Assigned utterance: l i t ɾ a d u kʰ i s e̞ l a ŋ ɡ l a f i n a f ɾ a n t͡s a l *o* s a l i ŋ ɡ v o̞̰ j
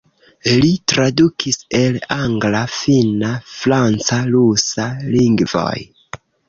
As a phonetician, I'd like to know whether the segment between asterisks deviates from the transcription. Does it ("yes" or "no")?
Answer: yes